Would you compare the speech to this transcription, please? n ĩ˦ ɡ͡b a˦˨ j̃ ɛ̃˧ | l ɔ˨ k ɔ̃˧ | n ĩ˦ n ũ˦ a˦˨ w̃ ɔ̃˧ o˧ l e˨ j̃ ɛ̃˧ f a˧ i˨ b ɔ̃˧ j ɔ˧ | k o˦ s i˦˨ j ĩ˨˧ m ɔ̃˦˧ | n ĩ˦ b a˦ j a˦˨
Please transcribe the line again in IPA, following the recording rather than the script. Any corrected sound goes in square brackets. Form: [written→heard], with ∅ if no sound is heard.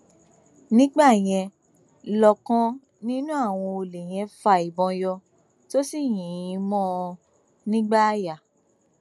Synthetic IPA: n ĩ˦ ɡ͡b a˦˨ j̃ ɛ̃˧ | l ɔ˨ k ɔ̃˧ | n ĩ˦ n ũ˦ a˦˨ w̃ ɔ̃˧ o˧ l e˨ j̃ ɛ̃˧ f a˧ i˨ b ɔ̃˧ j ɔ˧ | [k→t] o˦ s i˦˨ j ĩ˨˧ m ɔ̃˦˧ | n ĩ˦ [b→ɡ͡b] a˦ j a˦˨